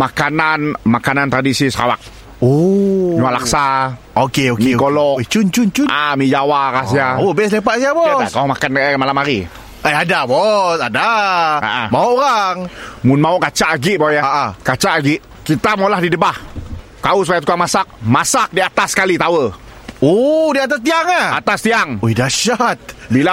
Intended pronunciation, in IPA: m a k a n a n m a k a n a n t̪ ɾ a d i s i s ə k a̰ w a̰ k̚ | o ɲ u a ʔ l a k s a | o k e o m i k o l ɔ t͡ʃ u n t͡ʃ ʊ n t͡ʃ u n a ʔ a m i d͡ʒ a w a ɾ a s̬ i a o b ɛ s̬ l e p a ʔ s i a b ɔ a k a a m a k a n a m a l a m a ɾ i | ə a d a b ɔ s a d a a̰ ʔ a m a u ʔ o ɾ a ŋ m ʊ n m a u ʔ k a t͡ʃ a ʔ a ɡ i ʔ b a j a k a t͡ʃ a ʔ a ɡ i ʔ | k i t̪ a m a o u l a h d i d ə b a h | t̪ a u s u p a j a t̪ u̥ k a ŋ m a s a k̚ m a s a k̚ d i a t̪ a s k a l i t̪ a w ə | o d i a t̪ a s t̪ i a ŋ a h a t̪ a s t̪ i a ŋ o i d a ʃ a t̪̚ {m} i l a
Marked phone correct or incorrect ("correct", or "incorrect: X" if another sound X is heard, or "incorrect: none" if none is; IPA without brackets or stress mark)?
incorrect: b